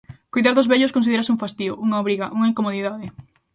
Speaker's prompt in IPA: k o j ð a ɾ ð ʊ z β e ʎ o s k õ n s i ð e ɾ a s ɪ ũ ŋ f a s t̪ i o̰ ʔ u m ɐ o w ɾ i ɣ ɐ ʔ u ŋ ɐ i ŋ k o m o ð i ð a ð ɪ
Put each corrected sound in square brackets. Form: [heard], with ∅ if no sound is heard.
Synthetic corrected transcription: k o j ð a ɾ ð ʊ z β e ʎ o s k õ n s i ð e ɾ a s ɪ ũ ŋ f a s t̪ i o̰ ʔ u [ŋ] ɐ o [β] ɾ i ɣ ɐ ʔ u ŋ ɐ i ŋ k o m o ð i ð a ð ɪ

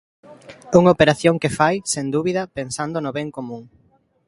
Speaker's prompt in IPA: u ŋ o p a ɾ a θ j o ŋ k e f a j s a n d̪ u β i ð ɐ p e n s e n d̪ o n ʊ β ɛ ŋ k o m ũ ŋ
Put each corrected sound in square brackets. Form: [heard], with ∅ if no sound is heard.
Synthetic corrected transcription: u ŋ o p [e] ɾ a θ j o ŋ k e f a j s [e] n d̪ u β i ð ɐ p e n s [a] n d̪ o n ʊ β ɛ ŋ k o m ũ ŋ

